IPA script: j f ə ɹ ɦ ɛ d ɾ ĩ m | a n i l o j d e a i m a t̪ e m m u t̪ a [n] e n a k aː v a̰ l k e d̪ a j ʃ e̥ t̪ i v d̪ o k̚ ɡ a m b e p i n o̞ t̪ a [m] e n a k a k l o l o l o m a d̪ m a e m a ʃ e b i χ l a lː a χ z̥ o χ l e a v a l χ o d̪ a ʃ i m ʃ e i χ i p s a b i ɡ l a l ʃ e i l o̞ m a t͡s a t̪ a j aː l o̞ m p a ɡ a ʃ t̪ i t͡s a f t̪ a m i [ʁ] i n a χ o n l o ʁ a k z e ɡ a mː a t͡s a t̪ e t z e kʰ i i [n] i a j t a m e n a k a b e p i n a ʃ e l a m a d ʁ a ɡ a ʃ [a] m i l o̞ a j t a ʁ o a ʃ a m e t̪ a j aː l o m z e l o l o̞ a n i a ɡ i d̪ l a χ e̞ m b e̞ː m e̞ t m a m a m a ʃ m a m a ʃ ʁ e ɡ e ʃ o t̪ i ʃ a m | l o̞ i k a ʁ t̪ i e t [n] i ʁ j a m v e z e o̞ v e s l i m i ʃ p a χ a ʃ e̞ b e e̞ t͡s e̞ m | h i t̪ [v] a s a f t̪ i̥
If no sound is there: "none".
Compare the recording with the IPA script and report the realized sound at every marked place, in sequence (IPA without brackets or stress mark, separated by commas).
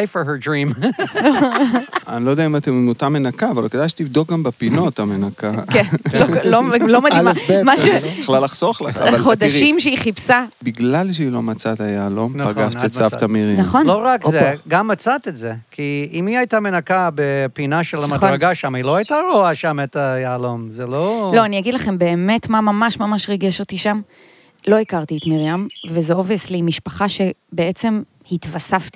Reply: m, m, ʁ, m, a, m, v